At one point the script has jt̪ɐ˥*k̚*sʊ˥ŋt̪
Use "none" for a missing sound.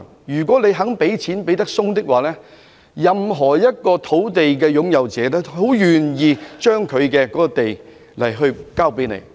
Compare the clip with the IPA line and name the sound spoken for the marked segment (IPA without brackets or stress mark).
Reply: k̚